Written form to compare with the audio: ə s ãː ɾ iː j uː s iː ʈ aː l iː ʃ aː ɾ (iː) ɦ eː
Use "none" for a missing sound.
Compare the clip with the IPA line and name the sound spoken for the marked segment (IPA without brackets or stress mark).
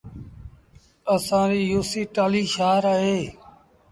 aː